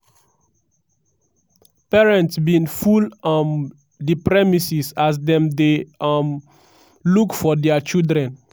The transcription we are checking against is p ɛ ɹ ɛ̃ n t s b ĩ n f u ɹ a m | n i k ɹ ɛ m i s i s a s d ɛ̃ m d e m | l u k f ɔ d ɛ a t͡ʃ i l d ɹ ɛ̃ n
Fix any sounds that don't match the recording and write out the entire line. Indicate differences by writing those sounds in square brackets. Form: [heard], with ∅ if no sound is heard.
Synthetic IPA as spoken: p ɛ ɹ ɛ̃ n t s b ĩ n f u [l] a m | [d] i [p] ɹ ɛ m i s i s a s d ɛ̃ m d e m | l u k f ɔ d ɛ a t͡ʃ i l d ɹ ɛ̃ n